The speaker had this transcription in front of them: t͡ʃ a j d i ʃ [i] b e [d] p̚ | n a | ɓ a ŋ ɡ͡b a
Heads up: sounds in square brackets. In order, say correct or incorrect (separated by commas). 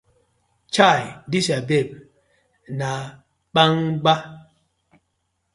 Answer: incorrect, incorrect